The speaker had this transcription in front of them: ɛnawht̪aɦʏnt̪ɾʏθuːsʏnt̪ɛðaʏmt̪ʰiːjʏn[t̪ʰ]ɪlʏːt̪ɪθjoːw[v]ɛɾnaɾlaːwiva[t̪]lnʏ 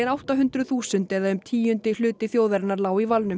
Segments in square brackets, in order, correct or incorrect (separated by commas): incorrect, incorrect, incorrect